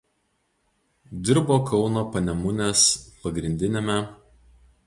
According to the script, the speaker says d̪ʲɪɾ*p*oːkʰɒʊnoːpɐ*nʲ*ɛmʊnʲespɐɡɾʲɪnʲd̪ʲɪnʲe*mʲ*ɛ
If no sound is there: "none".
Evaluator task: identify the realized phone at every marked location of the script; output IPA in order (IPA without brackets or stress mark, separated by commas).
b, nʲ, mʲ